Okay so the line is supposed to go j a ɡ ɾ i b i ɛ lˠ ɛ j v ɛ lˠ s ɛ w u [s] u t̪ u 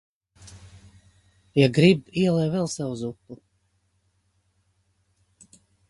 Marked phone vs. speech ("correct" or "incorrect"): incorrect